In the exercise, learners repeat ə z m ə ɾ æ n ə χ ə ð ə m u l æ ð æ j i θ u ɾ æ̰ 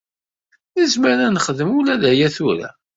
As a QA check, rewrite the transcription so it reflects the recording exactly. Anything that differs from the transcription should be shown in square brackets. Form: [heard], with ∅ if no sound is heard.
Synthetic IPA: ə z m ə ɾ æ n ə χ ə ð ə m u l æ ð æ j [æ] θ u ɾ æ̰